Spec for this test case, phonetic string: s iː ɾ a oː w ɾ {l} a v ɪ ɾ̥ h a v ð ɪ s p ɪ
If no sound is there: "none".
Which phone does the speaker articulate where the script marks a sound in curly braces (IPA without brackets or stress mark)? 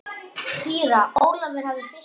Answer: l